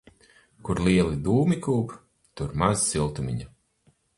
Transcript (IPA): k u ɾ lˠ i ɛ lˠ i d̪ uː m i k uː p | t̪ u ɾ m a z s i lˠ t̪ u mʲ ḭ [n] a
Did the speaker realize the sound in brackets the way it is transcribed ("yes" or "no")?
no